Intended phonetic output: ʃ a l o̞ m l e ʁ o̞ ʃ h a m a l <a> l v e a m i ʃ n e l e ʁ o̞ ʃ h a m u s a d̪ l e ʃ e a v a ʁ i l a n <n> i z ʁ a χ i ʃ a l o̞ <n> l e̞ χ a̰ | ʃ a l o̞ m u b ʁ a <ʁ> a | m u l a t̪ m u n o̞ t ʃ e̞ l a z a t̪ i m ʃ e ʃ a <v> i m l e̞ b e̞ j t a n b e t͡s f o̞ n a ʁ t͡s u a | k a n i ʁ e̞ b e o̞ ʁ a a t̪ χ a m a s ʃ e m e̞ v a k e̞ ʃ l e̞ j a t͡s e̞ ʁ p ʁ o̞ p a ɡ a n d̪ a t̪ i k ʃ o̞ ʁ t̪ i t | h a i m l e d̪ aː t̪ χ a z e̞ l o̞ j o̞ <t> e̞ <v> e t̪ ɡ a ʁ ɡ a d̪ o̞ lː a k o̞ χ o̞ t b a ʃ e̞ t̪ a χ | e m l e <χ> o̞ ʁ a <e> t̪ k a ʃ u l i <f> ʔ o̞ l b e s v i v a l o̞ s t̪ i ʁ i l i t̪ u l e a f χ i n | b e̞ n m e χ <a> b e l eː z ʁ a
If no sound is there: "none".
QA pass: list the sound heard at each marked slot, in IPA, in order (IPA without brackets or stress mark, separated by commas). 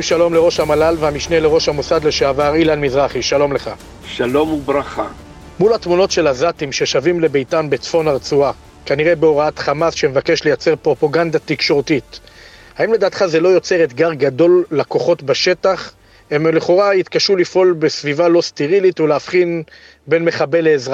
a, m, m, χ, v, t͡s, ʁ, χ, i, f, a